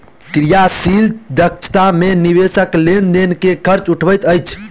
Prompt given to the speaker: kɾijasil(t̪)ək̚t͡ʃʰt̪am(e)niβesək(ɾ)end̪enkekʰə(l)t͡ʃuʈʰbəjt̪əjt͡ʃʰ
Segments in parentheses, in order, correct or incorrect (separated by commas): incorrect, correct, incorrect, incorrect